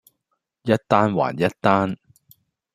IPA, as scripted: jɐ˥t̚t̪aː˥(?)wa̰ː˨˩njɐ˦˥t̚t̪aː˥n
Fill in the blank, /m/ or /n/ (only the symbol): n